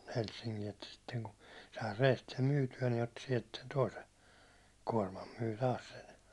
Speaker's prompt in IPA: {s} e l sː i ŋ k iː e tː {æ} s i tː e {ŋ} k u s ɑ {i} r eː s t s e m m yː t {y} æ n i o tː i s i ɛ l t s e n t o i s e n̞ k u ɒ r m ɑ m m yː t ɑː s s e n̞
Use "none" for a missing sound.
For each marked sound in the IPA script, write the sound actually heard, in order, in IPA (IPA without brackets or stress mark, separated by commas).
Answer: h, æ, ŋ, i, y